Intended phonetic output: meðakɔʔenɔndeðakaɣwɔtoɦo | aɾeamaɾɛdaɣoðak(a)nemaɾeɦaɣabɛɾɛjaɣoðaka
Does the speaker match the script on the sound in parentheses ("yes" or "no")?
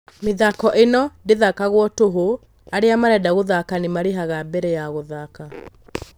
yes